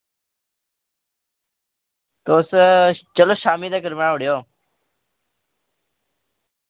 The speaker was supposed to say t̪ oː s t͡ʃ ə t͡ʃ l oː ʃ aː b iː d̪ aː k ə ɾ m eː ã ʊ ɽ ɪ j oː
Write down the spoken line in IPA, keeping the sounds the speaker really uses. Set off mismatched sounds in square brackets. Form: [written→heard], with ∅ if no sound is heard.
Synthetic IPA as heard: t̪ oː s t͡ʃ ə [t͡ʃ→∅] l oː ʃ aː [b→m] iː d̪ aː k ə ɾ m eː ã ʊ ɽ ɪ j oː

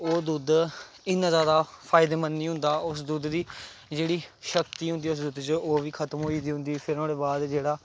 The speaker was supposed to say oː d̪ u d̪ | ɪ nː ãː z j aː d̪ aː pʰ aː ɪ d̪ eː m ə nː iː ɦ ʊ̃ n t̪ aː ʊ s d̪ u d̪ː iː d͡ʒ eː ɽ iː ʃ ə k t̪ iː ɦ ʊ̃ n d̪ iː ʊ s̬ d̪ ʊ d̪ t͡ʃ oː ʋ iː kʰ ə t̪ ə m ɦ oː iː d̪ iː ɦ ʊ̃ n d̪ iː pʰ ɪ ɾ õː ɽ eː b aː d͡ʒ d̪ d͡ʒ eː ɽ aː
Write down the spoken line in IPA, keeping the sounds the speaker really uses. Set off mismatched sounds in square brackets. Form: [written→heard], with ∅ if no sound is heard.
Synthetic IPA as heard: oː d̪ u d̪ | ɪ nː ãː z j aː d̪ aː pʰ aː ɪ d̪ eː m ə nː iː ɦ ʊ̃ n [t̪→d̪] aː ʊ s d̪ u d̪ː iː d͡ʒ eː ɽ iː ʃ ə k t̪ iː ɦ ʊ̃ n d̪ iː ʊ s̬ d̪ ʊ d̪ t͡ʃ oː ʋ iː kʰ ə t̪ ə m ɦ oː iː d̪ iː ɦ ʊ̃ n d̪ iː pʰ ɪ ɾ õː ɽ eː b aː [d͡ʒ→∅] d̪ d͡ʒ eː ɽ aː

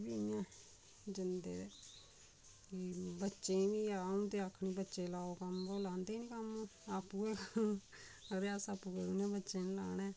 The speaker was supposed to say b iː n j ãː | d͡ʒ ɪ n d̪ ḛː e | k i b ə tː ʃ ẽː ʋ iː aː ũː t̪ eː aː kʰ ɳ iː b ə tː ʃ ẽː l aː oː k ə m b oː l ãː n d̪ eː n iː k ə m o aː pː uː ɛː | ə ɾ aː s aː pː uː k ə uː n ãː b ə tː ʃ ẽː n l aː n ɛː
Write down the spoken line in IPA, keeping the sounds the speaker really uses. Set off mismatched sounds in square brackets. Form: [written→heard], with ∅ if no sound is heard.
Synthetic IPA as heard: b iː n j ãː | d͡ʒ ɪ n d̪ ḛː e | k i b ə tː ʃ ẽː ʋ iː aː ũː t̪ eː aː kʰ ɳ iː b ə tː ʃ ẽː l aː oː k ə m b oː l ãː n d̪ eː n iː k ə m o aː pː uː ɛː | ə ɾ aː s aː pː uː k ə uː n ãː b ə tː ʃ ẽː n l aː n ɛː

